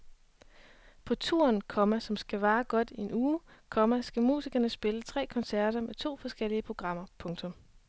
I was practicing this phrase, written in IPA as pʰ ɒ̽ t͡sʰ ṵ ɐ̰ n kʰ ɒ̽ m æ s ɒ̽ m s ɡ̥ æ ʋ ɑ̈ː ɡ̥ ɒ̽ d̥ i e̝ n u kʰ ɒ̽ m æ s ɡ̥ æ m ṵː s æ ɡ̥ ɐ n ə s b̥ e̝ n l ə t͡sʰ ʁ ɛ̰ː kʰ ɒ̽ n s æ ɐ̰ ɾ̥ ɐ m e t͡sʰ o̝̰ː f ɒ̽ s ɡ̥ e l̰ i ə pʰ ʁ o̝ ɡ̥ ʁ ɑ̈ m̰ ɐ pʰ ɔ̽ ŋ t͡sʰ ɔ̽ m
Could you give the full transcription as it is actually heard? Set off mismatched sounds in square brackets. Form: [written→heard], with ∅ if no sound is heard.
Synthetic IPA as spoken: pʰ ɒ̽ t͡sʰ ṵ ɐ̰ n kʰ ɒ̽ m æ s ɒ̽ m s ɡ̥ æ ʋ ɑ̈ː ɡ̥ ɒ̽ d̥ i e̝ n [u→uː] kʰ ɒ̽ m æ s ɡ̥ æ m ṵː s [æ→i] ɡ̥ ɐ n ə s b̥ e̝ [n→∅] l ə t͡sʰ ʁ ɛ̰ː kʰ ɒ̽ n s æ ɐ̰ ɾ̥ ɐ m e t͡sʰ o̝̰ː f ɒ̽ s ɡ̥ e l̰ i ə pʰ ʁ o̝ ɡ̥ ʁ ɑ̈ m̰ ɐ pʰ ɔ̽ ŋ t͡sʰ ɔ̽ m